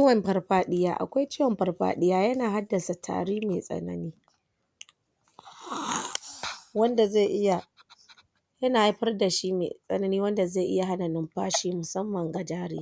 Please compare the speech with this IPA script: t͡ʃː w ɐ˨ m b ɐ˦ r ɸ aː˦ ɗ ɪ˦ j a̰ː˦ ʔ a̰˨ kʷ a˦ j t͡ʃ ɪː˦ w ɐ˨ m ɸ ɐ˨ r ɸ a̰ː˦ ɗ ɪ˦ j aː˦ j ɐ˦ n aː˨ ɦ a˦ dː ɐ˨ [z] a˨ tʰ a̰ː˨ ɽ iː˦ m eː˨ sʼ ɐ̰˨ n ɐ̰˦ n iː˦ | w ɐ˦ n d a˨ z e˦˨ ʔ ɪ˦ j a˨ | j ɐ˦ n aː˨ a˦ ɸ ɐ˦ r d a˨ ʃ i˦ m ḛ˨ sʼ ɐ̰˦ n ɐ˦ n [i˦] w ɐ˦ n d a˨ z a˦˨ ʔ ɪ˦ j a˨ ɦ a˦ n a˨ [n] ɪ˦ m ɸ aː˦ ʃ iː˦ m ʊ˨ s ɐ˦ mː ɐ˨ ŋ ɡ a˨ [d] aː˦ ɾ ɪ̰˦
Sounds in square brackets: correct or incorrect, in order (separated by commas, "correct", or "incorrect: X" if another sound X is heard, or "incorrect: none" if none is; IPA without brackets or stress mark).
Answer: incorrect: s, incorrect: iː˦, correct, incorrect: d͡ʒ